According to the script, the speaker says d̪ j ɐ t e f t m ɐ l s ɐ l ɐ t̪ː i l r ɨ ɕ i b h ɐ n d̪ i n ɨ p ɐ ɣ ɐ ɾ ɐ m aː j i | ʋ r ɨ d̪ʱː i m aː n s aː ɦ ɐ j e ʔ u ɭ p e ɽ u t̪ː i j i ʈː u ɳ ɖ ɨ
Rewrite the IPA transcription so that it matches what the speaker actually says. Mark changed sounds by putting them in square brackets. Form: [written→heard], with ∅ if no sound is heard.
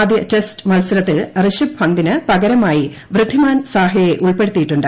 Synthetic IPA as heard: d̪ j ɐ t e [f→s] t m ɐ l s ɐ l ɐ t̪ː i l r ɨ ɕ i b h ɐ n d̪ i n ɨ p ɐ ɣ ɐ ɾ ɐ m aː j i | ʋ r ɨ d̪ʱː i m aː n s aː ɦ ɐ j e ʔ u ɭ p e ɽ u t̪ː i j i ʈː u ɳ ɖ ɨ